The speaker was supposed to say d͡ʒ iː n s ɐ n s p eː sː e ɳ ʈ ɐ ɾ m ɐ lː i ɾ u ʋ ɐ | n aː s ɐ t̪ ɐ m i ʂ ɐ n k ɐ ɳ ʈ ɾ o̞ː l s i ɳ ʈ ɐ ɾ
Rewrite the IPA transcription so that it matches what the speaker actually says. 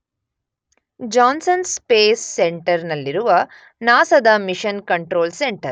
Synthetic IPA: d͡ʒ aː n s ɐ n s p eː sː e ɳ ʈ ɐ ɾ n ɐ lː i ɾ u ʋ ɐ | n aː s ɐ d̪ ɐ m i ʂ ɐ n k ɐ ɳ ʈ ɾ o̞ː l s e ɳ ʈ ɐ ɾ